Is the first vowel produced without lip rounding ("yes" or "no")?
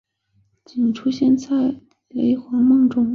yes